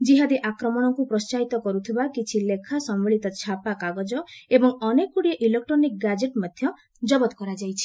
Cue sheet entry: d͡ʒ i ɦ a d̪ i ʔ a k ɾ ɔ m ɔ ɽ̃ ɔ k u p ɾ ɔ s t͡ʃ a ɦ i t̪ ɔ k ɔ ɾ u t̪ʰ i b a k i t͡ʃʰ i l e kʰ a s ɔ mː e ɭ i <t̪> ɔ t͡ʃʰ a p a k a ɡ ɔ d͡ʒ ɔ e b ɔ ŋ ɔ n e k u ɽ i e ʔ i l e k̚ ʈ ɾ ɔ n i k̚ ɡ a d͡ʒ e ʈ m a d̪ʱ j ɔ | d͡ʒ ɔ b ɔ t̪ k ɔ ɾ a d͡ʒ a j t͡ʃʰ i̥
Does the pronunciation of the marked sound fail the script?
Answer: no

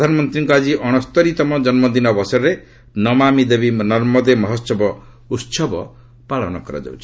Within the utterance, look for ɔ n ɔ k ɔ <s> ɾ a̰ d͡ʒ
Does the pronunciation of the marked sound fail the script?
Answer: yes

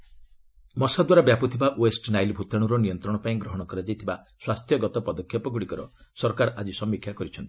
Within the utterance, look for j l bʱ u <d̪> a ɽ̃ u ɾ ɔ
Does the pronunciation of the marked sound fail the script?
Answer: yes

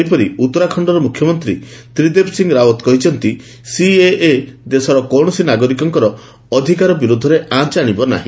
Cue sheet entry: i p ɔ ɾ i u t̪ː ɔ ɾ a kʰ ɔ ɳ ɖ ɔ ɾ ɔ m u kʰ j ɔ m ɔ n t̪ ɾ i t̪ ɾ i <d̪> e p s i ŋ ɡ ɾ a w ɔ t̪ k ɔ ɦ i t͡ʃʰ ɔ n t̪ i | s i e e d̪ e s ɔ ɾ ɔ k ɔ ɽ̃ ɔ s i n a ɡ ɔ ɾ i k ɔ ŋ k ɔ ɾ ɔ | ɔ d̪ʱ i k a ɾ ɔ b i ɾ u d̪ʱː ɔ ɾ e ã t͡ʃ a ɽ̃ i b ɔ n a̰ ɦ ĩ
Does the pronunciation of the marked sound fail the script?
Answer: no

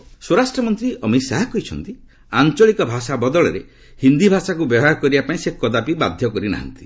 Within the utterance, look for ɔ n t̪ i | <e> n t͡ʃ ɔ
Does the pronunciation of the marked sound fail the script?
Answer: yes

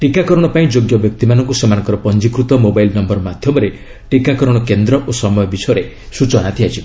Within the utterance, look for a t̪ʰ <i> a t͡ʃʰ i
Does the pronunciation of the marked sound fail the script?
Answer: no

